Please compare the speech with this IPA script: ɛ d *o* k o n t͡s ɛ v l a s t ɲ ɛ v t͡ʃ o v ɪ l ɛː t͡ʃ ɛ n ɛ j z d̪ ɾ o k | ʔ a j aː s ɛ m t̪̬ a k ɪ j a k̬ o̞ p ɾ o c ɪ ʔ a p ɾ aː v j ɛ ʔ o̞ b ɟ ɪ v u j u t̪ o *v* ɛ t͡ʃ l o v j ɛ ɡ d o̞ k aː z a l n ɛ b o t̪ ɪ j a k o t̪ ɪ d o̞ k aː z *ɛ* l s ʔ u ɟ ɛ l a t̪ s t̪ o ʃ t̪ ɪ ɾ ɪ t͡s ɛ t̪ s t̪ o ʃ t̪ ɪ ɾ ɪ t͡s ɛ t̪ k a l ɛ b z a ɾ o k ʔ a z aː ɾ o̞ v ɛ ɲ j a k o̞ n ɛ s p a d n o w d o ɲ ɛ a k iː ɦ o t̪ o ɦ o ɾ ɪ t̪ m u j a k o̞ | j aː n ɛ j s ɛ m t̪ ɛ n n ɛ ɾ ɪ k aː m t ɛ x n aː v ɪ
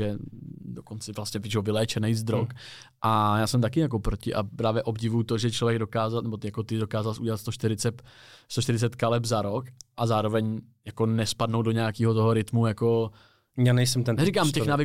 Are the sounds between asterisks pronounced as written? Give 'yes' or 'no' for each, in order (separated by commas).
yes, no, no